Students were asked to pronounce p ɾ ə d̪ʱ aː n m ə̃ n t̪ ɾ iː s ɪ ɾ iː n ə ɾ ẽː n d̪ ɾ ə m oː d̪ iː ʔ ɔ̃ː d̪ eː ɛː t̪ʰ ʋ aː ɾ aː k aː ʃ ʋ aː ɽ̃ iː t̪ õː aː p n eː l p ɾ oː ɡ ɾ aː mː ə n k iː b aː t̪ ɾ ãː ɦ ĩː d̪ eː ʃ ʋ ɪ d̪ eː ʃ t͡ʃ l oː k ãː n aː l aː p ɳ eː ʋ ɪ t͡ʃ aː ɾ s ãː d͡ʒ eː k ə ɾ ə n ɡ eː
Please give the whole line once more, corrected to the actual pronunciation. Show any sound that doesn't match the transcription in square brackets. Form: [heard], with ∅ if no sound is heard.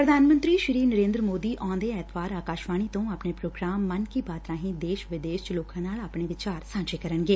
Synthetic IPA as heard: p ɾ ə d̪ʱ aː n m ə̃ n t̪ ɾ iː [ʃ] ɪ ɾ iː n ə ɾ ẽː n d̪ ɾ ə m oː d̪ iː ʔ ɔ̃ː d̪ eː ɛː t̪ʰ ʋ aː ɾ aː k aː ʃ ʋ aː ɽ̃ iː t̪ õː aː p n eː [∅] p ɾ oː ɡ ɾ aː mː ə n k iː b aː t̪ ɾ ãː ɦ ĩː d̪ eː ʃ ʋ ɪ d̪ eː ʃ t͡ʃ l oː k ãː n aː l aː p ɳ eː ʋ ɪ t͡ʃ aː ɾ s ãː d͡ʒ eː k ə ɾ ə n ɡ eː